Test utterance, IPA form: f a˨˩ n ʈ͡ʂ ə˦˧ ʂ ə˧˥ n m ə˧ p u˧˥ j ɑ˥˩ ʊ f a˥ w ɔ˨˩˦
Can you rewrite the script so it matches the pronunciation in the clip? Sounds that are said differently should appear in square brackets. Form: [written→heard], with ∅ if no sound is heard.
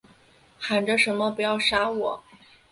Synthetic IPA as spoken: [f→x] a˨˩ n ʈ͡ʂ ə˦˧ ʂ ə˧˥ n m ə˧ p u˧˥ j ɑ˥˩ ʊ [f→ʂ] a˥ w ɔ˨˩˦